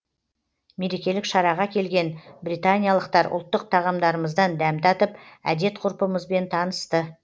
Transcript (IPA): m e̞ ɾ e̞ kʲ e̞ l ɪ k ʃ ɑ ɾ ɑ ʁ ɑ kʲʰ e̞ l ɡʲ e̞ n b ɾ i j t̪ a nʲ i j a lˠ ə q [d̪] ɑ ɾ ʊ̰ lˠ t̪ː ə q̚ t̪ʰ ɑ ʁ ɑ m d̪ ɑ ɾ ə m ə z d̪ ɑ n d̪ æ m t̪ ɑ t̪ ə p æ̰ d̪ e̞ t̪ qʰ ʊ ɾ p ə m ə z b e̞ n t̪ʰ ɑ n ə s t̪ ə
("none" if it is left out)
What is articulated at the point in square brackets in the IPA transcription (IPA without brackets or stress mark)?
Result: t̪